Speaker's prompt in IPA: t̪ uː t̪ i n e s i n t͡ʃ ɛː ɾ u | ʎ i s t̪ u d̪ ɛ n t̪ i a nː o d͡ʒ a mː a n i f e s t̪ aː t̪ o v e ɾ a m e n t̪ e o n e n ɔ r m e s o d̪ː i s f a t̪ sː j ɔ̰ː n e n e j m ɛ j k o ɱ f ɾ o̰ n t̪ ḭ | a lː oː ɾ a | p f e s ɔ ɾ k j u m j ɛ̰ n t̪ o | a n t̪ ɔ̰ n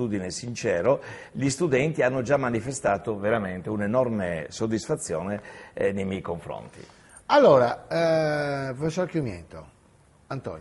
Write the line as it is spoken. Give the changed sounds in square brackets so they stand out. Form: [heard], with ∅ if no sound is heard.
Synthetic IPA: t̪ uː [d̪] i n e s i n t͡ʃ ɛː ɾ [o] | ʎ i s t̪ u d̪ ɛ n t̪ i a nː o d͡ʒ a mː a n i f e s t̪ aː t̪ o v e ɾ a m e n t̪ e [u] n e n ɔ r m e s o d̪ː i s f a t̪ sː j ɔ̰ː n e n e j m ɛ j k o ɱ f ɾ o̰ n t̪ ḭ | a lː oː ɾ a | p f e s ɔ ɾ k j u m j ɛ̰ n t̪ o | a n t̪ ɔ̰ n